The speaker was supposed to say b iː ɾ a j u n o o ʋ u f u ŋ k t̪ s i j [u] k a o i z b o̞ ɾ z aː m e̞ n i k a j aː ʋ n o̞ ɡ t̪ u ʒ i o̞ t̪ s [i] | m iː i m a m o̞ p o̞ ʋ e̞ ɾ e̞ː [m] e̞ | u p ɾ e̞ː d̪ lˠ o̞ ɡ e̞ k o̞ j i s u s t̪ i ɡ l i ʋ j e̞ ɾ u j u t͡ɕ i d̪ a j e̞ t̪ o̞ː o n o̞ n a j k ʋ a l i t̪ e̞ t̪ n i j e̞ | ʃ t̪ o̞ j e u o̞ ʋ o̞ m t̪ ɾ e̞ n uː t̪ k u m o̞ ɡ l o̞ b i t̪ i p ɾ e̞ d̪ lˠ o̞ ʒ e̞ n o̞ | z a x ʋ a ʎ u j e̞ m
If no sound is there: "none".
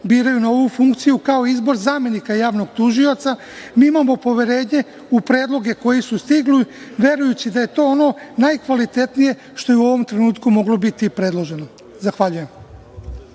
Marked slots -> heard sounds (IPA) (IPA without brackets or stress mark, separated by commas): u, a, ɲ